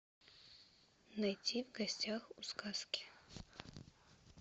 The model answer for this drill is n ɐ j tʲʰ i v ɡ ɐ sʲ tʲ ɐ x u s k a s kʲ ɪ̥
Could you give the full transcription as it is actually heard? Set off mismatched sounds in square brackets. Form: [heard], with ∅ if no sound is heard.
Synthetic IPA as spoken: n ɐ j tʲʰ i v ɡ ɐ sʲ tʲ [a] x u s k a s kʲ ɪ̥